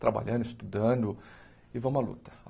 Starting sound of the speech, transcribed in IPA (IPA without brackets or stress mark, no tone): t̪